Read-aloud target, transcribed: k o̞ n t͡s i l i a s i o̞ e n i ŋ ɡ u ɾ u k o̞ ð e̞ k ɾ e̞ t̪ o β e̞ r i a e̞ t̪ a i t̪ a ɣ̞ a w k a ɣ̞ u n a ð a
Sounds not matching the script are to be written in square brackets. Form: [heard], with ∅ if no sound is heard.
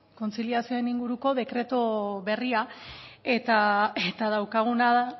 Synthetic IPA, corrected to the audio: k o̞ n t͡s i l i a s i o̞ e n i ŋ ɡ u ɾ u k o̞ ð e̞ k ɾ e̞ t̪ o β e̞ r i a e̞ t̪ a [e] t̪ a [ð̞] a w k a ɣ̞ u n a ð a

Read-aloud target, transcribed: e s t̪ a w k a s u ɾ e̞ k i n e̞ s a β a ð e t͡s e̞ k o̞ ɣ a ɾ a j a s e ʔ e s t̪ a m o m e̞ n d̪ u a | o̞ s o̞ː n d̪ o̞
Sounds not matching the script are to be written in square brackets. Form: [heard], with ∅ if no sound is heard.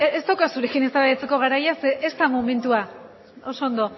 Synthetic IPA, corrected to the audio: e s t̪ a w k a s u ɾ e̞ k i n e̞ s a β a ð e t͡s e̞ k o̞ ɣ a ɾ a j a s e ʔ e s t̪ a m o m e̞ n [t̪] u a | o̞ s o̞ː n d̪ o̞

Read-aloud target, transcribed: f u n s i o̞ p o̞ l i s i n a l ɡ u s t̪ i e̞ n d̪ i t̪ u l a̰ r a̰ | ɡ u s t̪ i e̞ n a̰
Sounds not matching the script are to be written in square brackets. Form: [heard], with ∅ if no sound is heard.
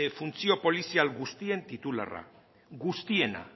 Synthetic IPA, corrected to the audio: f u n [t͡s] i o̞ p o̞ l i s i [∅] a l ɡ u s t̪ i e̞ n [t̪] i t̪ u l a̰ r a̰ | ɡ u s t̪ i e̞ n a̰

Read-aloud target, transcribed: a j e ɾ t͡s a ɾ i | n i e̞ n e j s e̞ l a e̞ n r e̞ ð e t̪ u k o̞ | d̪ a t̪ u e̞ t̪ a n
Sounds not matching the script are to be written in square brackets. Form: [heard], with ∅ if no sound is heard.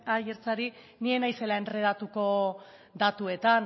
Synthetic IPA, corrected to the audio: a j e ɾ t͡s a ɾ i | n i e̞ n [a] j s e̞ l a e̞ n r e̞ ð [a] t̪ u k o̞ | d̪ a t̪ u e̞ t̪ a n

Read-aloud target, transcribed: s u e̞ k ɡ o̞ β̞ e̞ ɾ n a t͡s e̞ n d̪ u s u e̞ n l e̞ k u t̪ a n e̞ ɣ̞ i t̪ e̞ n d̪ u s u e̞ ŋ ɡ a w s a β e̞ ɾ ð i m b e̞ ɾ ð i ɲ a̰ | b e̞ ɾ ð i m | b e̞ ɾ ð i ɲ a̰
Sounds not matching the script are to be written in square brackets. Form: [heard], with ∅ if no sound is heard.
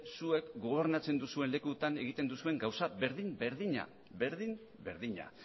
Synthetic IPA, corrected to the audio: s u e̞ k ɡ o̞ β̞ e̞ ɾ n a t͡s e̞ n d̪ u s u e̞ n l e̞ k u t̪ a n e̞ ɣ̞ i t̪ e̞ n d̪ u s u e̞ ŋ ɡ a w s a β e̞ ɾ ð i m b e̞ ɾ ð i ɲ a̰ | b e̞ ɾ ð i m | b e̞ ɾ ð i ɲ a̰

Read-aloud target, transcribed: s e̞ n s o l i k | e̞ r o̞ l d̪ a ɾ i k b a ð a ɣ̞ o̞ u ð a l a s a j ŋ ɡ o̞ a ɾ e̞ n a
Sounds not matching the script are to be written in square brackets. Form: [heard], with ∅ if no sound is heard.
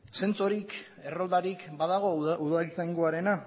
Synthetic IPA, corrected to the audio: s e̞ n [t͡s] o [ɾ] i k | e̞ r o̞ l d̪ a ɾ i k b a ð a ɣ̞ o̞ u ð a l [i] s a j ŋ ɡ o̞ a ɾ e̞ n a

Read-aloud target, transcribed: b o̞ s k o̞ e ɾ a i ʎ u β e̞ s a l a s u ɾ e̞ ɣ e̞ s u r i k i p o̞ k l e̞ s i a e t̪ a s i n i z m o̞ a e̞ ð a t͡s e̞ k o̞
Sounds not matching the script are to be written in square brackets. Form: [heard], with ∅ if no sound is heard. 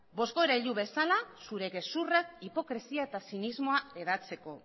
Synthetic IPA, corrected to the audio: b o̞ s k o̞ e ɾ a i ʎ u β e̞ s a l a s u ɾ e̞ ɣ e̞ s u r [a] k i p o̞ k [ɾ] e̞ s i a e t̪ a s i n i z m o̞ a e̞ ð a t͡s e̞ k o̞

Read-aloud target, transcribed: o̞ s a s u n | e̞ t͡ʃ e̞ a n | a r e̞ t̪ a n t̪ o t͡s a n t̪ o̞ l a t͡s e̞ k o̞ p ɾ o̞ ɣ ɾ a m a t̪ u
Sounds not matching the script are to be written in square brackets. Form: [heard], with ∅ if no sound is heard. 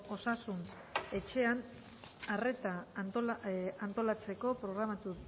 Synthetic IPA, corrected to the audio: o̞ s a s u n | e̞ t͡ʃ e̞ a n | a r e̞ t̪ a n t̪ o [∅] a n t̪ o̞ l a t͡s e̞ k o̞ p ɾ o̞ ɣ ɾ a m a t̪ u

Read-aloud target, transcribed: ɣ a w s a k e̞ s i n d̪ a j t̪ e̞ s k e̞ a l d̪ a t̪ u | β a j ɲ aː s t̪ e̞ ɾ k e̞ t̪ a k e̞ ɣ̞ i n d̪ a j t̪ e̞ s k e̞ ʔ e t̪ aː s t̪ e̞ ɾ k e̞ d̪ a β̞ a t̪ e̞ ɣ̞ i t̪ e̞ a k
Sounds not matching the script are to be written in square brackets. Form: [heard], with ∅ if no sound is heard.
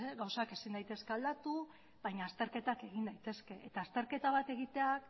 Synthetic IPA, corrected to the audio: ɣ a w s a k e̞ s i n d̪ a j t̪ e̞ s k e̞ a l d̪ a t̪ u | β a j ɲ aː s t̪ e̞ ɾ k e̞ t̪ a k e̞ ɣ̞ i n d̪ a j t̪ e̞ s k e̞ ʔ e t̪ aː s t̪ e̞ ɾ k e̞ [t̪] a β̞ a t̪ e̞ ɣ̞ i t̪ e̞ a k

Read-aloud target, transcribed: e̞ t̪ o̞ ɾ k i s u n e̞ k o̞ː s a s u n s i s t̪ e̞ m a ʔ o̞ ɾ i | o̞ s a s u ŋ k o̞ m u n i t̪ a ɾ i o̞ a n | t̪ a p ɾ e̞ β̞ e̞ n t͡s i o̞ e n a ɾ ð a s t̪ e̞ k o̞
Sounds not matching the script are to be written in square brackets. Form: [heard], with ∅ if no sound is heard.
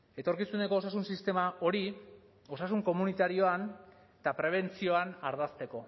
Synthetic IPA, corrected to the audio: e̞ t̪ o̞ ɾ k i s u n e̞ k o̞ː s a s u n s i s t̪ e̞ m a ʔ o̞ ɾ i | o̞ s a s u ŋ k o̞ m u n i t̪ a ɾ i o̞ a n | t̪ a p ɾ e̞ β̞ e̞ n t͡s i o̞ [a] n a ɾ ð a s t̪ e̞ k o̞

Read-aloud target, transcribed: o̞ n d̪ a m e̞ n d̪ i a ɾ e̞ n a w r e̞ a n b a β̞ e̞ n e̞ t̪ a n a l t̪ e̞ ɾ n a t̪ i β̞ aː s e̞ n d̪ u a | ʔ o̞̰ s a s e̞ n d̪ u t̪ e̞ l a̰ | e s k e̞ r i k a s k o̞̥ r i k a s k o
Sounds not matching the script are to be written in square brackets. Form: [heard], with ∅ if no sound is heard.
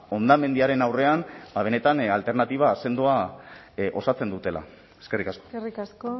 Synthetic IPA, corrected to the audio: o̞ n d̪ a m e̞ n d̪ i a ɾ e̞ n a w r e̞ a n b a β̞ e̞ n e̞ t̪ a n a l t̪ e̞ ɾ n a t̪ i β̞ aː s e̞ n d̪ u a | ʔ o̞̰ s a [t͡s] e̞ n d̪ u t̪ e̞ l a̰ | e s k e̞ r i k a s k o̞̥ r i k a s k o

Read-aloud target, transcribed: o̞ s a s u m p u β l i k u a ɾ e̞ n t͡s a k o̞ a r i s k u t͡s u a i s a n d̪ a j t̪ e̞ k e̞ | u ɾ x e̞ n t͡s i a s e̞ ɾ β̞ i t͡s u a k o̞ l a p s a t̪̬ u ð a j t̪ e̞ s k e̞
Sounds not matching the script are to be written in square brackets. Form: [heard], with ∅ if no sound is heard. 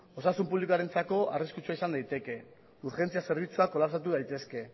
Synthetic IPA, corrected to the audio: o̞ s a s u m p u β l i k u a ɾ e̞ n t͡s a k o̞ a r i s k u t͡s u a i s a n d̪ a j t̪ e̞ k e̞ | u ɾ x e̞ n t͡s i a s e̞ ɾ β̞ i t͡s u a k o̞ l a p s a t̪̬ u ð a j t̪ e̞ s k e̞

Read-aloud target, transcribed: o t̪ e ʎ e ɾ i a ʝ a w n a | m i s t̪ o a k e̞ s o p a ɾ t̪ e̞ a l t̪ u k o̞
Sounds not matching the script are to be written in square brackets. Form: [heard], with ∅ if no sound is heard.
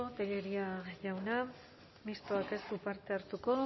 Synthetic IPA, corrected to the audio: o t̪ e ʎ e ɾ i a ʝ a w n a | m i s t̪ o a k e̞ s [u] p a ɾ t̪ e̞ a [ɾ] t̪ u k o̞

